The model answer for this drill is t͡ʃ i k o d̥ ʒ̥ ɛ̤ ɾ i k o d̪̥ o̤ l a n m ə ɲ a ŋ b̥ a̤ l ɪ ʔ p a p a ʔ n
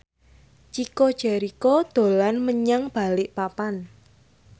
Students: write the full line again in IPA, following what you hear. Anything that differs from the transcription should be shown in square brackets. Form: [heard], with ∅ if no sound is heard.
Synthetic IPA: t͡ʃ i k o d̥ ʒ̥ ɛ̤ ɾ i k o d̪̥ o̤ l a n m ə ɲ a ŋ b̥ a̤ l ɪ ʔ p a p a [∅] n